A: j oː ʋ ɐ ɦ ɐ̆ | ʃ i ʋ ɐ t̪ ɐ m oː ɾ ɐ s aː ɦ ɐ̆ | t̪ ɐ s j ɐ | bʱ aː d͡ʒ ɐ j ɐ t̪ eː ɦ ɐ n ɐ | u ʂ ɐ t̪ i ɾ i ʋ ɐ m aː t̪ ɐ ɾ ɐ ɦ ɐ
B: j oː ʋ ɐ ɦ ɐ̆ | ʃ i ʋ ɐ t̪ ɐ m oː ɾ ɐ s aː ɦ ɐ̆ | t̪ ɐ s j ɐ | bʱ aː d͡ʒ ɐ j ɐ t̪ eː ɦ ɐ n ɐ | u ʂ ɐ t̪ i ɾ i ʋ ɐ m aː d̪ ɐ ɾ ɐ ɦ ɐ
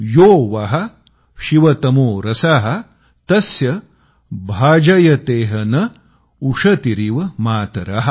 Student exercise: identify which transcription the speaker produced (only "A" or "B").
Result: A